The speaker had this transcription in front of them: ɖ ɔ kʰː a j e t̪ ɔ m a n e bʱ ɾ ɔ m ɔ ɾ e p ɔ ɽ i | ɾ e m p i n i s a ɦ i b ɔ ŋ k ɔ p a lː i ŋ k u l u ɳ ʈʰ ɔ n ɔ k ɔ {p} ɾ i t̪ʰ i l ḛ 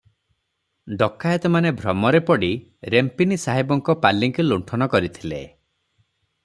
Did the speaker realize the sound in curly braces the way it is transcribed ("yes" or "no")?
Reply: no